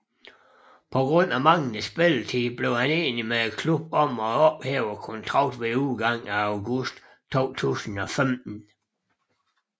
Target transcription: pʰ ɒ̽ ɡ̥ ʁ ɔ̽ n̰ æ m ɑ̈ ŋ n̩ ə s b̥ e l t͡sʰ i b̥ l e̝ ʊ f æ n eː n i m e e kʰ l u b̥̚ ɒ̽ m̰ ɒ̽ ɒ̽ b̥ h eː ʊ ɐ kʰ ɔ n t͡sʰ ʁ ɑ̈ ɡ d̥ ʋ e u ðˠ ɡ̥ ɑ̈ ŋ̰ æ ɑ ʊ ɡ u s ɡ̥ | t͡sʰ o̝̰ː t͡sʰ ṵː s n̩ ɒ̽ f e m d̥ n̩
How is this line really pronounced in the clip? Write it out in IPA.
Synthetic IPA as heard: pʰ ɒ̽ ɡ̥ ʁ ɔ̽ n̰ æ m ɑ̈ ŋ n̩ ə s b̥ e l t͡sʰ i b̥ l e̝ ʊ h æ n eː n i m e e kʰ l u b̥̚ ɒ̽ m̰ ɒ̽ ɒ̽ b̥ h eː ʊ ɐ kʰ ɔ n t͡sʰ ʁ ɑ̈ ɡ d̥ ʋ e u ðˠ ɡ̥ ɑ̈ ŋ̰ æ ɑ ʊ ɡ u s d̥ | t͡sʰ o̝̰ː t͡sʰ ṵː s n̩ ɒ̽ f e m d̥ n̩